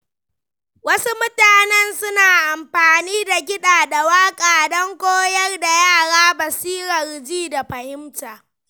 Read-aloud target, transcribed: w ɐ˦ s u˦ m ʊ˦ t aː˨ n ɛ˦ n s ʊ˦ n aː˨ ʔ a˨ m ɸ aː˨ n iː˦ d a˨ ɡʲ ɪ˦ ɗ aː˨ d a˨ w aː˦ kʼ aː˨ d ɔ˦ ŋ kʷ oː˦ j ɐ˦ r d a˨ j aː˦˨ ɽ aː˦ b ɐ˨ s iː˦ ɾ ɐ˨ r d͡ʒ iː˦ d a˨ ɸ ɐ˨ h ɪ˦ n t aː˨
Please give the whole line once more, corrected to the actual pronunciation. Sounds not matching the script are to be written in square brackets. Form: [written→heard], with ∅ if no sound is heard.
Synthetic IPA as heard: w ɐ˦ s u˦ m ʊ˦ t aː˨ n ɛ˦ n s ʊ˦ n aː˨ ʔ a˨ m ɸ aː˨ n iː˦ d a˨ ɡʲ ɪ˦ ɗ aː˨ d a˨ w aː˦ kʼ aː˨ d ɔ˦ ŋ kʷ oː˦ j ɐ˦ r d a˨ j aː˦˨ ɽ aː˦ b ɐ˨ s iː˦ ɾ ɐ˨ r d͡ʒ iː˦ d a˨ ɸ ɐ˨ h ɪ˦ [n→m] t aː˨